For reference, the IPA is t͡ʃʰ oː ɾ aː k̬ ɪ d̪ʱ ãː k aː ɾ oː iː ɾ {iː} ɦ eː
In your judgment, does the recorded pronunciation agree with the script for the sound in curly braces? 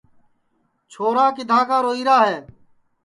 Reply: no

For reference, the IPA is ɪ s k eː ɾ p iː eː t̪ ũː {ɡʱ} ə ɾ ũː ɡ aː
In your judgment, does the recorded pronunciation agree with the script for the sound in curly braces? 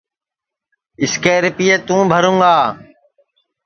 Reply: no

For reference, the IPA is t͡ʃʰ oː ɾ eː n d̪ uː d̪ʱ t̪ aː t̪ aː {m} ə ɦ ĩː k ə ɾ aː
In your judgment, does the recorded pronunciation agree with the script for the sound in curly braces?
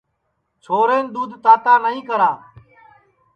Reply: no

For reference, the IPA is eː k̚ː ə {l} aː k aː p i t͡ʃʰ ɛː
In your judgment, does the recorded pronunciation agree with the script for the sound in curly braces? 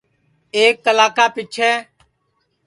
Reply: yes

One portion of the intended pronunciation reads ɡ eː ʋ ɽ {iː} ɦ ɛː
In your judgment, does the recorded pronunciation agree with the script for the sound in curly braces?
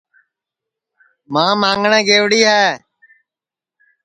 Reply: yes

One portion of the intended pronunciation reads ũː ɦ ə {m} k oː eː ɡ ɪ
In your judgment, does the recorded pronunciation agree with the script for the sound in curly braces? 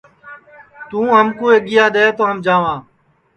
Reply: yes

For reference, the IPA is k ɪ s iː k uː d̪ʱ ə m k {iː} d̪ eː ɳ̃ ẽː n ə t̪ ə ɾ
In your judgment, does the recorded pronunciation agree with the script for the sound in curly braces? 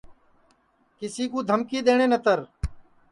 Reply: yes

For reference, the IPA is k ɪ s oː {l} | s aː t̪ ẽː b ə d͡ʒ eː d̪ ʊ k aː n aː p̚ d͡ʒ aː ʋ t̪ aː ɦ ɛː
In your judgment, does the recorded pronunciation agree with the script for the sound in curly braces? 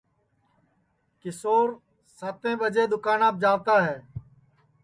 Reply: no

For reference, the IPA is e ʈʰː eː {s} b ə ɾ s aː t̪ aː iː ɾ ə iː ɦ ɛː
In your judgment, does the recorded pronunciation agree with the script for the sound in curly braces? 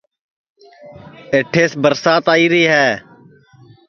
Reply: yes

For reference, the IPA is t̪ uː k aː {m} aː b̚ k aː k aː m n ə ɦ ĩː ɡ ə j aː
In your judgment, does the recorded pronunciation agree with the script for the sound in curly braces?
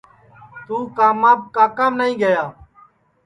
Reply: yes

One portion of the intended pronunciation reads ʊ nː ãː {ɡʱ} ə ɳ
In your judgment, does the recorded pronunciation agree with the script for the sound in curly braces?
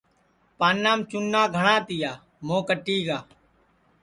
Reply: yes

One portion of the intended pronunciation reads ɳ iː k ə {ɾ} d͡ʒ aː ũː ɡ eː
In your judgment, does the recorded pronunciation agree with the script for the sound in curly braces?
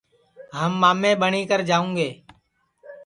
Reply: yes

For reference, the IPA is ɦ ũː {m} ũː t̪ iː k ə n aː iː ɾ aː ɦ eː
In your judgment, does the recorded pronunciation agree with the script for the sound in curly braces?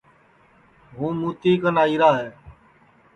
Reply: yes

